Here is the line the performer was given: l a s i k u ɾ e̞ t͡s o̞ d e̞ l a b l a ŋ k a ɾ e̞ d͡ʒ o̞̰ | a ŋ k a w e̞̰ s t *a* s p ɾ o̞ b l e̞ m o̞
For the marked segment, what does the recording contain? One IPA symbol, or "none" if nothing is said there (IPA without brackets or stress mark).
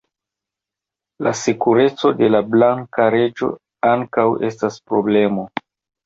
a